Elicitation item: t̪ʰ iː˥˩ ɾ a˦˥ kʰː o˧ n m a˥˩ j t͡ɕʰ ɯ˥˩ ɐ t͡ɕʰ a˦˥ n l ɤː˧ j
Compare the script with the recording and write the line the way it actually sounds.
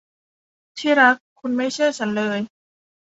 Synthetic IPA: t̪ʰ iː˥˩ ɾ a˦˥ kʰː u˧ n m a˥˩ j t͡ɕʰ ɯ˥˩ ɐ t͡ɕʰ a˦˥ n l ɤː˧ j